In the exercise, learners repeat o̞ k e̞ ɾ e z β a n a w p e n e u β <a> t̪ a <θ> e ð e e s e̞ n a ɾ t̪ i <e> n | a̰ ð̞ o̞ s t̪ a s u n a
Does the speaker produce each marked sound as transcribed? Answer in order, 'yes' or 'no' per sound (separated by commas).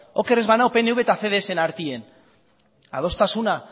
no, yes, yes